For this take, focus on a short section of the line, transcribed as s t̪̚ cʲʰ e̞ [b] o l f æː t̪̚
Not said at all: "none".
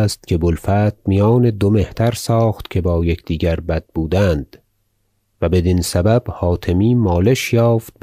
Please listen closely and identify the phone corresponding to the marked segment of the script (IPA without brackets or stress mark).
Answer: b